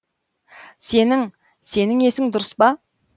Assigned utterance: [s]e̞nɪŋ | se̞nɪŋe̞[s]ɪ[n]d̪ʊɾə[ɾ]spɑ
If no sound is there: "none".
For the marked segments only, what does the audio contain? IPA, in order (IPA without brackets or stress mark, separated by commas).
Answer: s, s, ŋ, none